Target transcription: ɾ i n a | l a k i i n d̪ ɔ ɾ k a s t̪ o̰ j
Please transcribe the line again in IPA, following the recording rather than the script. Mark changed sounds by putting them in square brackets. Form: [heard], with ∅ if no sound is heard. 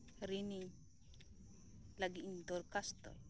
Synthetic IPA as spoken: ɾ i n [i] | l a [ɡ] i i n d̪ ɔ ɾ k a s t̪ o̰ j

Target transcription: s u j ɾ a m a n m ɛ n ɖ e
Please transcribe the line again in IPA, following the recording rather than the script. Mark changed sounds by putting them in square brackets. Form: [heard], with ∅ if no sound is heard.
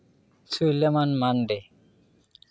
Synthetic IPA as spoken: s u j [l] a m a n m [a] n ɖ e

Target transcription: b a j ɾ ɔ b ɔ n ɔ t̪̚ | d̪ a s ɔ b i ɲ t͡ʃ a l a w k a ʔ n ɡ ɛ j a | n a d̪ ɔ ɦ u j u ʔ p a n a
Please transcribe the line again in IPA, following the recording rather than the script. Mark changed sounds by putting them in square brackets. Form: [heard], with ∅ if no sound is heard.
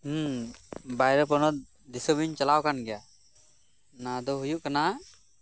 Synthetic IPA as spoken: b a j ɾ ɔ [p] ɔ n ɔ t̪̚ | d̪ [i] s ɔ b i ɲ t͡ʃ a l a w k a [∅] n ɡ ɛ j a | n a d̪ ɔ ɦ u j u ʔ [k] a n a

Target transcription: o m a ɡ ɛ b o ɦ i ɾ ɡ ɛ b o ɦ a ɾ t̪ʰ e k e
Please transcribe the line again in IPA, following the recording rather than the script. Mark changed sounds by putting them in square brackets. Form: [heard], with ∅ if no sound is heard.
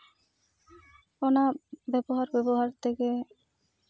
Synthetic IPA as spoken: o [n] a [b] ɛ b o ɦ [a] ɾ [b] ɛ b o ɦ a ɾ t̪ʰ e k e

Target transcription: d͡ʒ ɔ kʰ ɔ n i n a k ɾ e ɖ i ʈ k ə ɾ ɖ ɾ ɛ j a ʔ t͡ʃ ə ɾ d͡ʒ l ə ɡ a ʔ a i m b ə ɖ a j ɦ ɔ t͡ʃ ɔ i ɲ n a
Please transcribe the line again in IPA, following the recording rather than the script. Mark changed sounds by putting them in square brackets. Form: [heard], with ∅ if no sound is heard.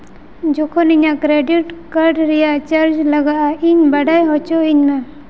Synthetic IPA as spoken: d͡ʒ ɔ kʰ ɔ n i [ɲ] a k ɾ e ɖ i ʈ k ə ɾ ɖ ɾ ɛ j a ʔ t͡ʃ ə ɾ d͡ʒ l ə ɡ a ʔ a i [ɲ] b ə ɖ a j ɦ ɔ t͡ʃ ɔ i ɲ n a

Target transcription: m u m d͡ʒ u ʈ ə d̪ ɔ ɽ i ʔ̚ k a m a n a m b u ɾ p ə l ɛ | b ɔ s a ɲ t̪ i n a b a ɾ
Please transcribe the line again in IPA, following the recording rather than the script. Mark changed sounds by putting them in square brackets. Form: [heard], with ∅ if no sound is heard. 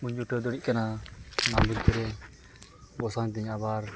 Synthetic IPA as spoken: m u [ɲ] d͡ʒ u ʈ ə d̪ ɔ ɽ i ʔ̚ k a [n] a n a m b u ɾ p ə [ɾ] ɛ | b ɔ s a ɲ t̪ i [ɲ] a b a ɾ

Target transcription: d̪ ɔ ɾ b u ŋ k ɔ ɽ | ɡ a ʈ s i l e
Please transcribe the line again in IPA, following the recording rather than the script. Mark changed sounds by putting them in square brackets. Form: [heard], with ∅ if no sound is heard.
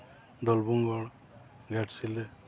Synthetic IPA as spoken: d̪ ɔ [l] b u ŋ [ɡ] ɔ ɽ | ɡ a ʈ s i l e

